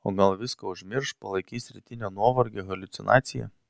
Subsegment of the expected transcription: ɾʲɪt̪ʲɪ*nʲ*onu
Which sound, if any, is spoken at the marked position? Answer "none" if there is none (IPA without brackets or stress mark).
nʲ